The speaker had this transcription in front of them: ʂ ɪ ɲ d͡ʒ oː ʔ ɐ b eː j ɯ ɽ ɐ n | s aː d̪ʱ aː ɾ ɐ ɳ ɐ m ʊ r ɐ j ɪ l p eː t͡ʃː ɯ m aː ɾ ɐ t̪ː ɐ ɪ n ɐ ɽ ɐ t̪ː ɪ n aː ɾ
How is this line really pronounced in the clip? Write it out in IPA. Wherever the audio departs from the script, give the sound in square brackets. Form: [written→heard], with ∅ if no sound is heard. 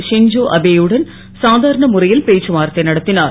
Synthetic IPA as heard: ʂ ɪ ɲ d͡ʒ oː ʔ ɐ b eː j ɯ ɽ ɐ n | s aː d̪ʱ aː ɾ ɐ ɳ ɐ m ʊ r ɐ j ɪ l p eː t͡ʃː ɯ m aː ɾ ɐ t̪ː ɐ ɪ n ɐ ɽ ɐ t̪ː ɪ n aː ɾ

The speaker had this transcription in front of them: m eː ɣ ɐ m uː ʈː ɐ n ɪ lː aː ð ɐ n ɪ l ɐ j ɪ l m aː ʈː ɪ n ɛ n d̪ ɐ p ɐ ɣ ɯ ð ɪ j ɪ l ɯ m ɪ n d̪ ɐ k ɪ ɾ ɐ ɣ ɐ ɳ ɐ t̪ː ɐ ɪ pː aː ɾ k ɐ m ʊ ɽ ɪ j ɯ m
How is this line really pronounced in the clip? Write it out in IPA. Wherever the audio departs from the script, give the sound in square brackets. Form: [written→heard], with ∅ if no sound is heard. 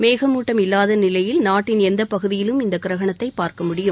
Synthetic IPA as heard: m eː ɣ ɐ m uː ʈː ɐ [n→m] ɪ lː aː ð ɐ n ɪ l ɐ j ɪ l [m→n] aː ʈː ɪ n ɛ n d̪ ɐ p ɐ ɣ ɯ ð ɪ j ɪ l ɯ m ɪ n d̪ ɐ k ɪ ɾ ɐ ɣ ɐ ɳ ɐ t̪ː ɐ ɪ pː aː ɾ k ɐ m ʊ ɽ ɪ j ɯ m

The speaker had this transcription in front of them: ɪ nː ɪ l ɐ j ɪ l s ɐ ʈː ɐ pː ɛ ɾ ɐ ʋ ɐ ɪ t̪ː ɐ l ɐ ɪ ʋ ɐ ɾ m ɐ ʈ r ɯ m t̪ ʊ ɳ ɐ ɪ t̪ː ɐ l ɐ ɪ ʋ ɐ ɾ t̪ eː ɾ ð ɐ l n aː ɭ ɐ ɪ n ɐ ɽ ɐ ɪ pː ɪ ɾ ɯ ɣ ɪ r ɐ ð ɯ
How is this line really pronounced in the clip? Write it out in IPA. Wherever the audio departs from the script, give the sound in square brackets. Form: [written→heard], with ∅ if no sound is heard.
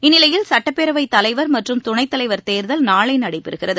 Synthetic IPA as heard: ɪ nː ɪ l ɐ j ɪ l s ɐ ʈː ɐ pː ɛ ɾ ɐ ʋ ɐ ɪ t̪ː ɐ l ɐ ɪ ʋ ɐ ɾ m ɐ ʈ r ɯ m t̪ ʊ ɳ ɐ ɪ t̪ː ɐ l ɐ ɪ ʋ ɐ ɾ t̪ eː ɾ ð ɐ l n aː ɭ ɐ ɪ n ɐ ɽ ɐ ɪ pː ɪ ɾ ɯ ɣ ɪ r ɐ ð ɯ

